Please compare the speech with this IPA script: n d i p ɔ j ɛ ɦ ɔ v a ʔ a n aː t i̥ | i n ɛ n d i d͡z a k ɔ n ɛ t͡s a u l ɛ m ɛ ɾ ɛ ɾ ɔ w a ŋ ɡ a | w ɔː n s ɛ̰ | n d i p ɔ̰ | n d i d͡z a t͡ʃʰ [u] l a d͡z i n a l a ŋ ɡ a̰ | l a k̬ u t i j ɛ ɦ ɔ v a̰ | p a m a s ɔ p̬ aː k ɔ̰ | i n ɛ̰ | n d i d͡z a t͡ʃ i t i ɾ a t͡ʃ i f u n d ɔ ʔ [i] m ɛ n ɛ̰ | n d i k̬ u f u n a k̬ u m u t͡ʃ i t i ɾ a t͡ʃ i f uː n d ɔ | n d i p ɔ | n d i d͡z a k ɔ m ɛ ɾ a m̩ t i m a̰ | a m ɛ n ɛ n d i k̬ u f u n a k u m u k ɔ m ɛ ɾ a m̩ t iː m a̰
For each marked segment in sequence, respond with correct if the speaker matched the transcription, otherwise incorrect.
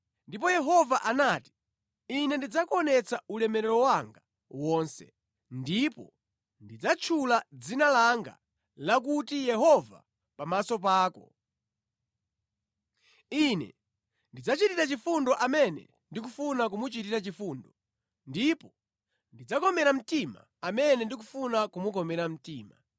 correct, incorrect

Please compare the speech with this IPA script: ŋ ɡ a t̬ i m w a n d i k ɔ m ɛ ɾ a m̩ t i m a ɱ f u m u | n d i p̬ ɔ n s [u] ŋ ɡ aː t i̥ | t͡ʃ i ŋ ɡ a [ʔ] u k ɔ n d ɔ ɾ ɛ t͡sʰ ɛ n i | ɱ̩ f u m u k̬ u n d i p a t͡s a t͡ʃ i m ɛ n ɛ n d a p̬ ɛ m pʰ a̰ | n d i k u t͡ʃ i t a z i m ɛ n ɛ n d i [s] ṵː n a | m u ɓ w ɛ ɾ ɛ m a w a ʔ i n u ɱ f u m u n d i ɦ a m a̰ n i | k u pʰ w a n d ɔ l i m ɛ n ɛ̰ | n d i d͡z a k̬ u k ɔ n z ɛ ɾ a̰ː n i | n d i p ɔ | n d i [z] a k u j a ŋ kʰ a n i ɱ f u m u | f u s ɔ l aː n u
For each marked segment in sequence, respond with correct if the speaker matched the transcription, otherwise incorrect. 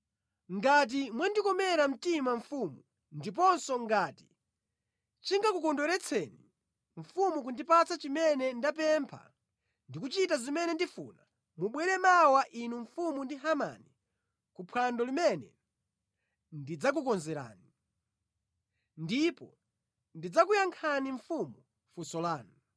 incorrect, incorrect, incorrect, incorrect

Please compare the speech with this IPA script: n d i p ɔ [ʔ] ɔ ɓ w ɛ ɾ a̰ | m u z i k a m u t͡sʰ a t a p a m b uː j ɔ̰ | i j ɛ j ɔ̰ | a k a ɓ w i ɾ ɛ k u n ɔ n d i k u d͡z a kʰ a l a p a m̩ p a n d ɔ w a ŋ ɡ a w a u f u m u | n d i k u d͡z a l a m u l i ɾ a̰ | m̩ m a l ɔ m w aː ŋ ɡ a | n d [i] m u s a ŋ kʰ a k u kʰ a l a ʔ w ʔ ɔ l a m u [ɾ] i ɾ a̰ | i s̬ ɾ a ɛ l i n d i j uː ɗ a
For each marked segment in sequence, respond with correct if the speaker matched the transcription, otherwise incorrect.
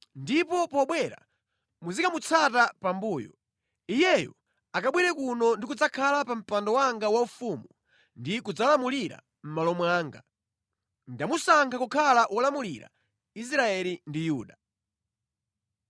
incorrect, incorrect, incorrect

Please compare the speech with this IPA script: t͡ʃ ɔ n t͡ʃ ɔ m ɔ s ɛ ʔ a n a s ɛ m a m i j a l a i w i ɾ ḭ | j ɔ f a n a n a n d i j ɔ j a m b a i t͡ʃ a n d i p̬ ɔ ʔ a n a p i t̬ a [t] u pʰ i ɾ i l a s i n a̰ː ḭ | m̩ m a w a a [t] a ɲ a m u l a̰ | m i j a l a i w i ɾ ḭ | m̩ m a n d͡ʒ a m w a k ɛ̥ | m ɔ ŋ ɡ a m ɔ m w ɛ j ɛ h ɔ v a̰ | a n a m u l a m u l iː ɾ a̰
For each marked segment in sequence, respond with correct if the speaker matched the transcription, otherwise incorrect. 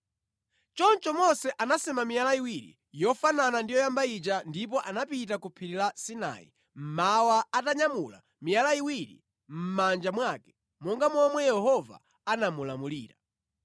incorrect, correct

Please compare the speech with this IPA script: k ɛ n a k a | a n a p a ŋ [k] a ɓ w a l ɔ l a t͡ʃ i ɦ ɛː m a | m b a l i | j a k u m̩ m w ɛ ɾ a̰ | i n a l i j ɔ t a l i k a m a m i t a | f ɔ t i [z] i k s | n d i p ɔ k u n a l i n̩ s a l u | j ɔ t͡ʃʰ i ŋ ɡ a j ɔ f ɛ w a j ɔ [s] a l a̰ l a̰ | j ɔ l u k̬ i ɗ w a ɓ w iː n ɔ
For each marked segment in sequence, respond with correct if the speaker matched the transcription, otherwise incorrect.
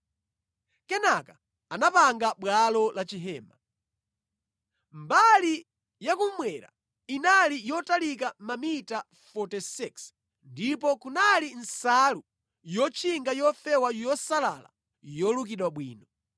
incorrect, incorrect, correct

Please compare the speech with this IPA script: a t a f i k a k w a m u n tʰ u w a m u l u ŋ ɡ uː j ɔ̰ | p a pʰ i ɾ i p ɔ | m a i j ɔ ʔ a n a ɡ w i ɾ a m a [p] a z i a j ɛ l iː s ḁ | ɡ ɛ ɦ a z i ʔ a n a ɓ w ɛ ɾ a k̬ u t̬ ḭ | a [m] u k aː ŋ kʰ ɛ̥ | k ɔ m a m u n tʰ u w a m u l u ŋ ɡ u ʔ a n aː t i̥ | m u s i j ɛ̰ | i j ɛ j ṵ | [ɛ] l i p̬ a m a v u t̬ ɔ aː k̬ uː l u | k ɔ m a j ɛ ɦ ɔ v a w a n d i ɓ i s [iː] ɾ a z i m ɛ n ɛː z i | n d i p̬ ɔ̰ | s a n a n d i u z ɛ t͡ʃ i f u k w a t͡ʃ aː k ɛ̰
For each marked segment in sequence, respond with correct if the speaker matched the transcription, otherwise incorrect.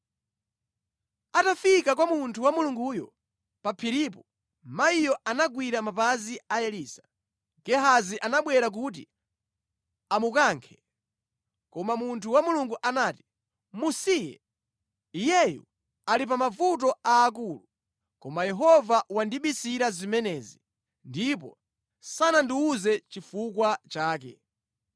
correct, correct, incorrect, incorrect

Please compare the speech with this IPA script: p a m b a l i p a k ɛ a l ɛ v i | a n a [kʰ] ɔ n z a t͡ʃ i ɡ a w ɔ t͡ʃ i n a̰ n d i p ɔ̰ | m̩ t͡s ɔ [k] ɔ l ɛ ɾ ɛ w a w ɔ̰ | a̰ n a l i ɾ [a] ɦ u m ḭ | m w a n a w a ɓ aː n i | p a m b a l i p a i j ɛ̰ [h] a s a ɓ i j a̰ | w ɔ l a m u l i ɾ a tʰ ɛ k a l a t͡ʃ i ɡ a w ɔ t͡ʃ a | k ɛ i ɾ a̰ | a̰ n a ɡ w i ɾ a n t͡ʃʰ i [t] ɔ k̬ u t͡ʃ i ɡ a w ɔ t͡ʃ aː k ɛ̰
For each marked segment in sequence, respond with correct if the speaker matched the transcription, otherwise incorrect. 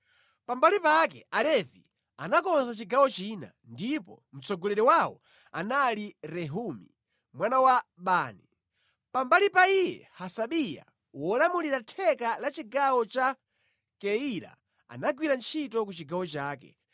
incorrect, incorrect, incorrect, correct, correct

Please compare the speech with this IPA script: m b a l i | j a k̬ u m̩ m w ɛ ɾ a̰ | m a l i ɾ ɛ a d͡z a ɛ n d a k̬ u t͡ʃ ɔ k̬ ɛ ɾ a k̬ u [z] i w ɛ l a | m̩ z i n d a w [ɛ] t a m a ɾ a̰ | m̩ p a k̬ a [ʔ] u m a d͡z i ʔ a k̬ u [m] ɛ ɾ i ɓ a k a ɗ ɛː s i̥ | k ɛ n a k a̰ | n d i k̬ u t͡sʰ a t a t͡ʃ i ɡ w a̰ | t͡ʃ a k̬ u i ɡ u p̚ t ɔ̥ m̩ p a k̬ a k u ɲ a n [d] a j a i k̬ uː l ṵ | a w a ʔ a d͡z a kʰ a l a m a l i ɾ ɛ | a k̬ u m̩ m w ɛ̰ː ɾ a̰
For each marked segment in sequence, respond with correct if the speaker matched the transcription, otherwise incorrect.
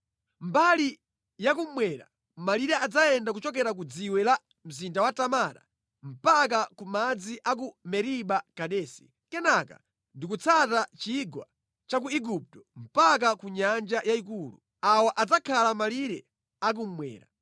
incorrect, incorrect, incorrect, correct, incorrect

